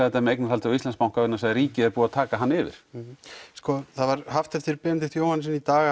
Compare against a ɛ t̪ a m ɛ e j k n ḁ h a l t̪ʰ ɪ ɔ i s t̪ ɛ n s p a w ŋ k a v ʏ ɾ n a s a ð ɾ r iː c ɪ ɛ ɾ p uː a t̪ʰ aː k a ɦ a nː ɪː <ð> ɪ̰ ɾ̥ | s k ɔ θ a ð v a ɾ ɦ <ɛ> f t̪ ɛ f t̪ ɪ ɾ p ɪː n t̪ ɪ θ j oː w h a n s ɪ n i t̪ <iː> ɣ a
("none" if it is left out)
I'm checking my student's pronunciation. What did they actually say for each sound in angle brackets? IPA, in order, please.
v, a, aː

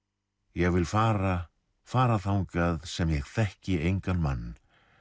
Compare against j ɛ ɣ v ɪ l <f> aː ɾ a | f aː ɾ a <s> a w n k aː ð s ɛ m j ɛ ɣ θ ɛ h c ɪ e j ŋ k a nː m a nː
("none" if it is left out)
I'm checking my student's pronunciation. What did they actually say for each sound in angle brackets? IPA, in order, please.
f, θ

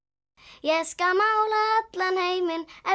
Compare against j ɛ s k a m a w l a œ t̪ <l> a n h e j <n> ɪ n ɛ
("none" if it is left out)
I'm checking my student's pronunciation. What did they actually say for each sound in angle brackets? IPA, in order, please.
l, m

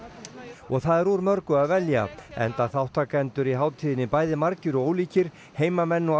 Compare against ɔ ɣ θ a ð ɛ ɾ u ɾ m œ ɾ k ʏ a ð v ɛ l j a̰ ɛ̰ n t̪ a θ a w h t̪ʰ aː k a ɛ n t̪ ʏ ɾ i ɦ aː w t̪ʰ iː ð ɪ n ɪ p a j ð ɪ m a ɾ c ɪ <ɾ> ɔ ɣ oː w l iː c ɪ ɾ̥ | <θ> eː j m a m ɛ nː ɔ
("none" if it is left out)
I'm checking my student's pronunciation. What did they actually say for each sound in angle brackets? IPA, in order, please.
ɾ, h

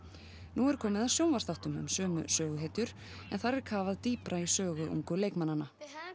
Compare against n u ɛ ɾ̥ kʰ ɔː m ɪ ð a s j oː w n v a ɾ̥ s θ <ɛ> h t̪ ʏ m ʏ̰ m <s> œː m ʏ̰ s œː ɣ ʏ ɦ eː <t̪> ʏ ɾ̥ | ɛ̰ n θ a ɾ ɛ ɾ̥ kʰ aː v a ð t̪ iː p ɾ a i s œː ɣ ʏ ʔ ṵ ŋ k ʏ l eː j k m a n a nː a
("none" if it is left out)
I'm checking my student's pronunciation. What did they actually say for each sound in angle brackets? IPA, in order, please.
a, s, t̪

